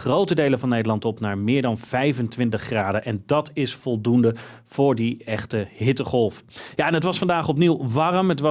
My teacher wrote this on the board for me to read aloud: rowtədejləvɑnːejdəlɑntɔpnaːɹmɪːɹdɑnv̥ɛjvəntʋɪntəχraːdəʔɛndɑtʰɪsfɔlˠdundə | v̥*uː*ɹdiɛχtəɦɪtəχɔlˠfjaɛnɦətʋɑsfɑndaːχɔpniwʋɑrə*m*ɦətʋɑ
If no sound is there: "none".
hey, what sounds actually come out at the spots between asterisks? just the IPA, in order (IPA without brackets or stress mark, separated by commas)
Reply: ʊː, m